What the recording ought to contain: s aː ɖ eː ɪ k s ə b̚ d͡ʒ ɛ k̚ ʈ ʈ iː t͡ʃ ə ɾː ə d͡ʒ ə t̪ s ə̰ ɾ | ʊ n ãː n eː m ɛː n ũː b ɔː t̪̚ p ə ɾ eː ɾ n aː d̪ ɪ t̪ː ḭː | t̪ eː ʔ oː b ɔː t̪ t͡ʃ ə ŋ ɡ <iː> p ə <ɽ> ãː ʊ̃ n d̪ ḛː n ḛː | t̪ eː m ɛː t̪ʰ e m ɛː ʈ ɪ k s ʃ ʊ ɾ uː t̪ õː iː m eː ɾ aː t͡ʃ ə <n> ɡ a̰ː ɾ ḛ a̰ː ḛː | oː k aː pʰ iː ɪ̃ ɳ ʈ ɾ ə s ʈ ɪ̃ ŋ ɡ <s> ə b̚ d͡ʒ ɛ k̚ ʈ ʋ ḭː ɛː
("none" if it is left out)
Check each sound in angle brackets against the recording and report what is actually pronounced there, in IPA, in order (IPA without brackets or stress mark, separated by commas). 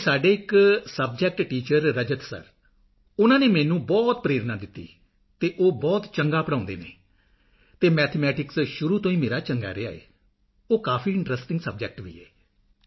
aː, ɽ, ŋ, s